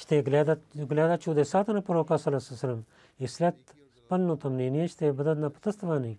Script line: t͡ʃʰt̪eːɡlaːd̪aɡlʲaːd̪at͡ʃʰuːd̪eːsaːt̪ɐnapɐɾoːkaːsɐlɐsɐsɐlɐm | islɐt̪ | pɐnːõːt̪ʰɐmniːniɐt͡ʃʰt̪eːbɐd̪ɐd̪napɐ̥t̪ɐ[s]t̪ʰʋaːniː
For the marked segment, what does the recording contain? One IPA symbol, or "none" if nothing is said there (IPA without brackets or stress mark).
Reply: s